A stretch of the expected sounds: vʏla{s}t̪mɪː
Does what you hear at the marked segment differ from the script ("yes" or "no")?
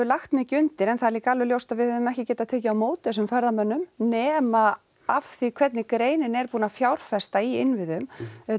yes